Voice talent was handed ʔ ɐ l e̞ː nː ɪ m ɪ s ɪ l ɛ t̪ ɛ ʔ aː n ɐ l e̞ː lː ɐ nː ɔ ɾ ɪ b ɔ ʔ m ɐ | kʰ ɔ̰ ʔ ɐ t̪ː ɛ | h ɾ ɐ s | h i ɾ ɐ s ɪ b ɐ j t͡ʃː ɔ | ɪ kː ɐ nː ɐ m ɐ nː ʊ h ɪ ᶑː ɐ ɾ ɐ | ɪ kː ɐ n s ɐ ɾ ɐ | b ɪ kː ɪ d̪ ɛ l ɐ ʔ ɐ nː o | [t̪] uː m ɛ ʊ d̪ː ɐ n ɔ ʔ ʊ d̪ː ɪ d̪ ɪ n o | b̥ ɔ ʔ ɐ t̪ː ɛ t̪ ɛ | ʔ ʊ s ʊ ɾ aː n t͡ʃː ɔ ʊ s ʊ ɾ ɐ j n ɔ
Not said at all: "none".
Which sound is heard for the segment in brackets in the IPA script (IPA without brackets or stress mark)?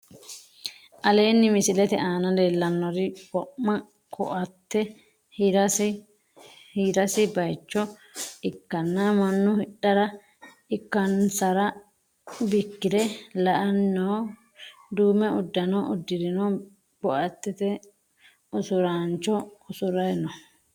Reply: d̪